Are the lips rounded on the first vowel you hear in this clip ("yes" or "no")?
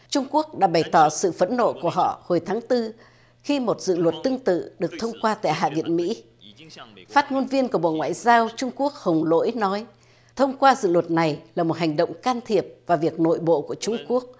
yes